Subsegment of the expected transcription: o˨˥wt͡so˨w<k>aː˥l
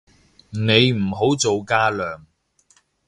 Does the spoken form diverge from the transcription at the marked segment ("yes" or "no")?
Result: no